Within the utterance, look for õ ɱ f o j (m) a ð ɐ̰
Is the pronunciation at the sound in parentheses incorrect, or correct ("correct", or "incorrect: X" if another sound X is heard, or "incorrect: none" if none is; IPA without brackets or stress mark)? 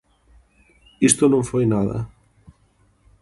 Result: incorrect: n